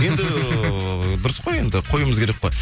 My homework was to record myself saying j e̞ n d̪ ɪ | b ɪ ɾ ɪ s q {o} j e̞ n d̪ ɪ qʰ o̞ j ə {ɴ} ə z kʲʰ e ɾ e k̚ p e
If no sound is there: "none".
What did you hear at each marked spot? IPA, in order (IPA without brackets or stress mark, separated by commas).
o, m